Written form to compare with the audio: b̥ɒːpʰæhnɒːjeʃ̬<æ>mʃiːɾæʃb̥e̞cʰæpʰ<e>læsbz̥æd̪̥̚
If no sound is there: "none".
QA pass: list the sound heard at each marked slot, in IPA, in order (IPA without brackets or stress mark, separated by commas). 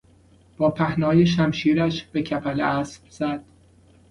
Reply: æ, æ